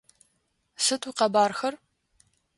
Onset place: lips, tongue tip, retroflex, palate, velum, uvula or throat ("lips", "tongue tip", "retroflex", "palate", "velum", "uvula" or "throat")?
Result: tongue tip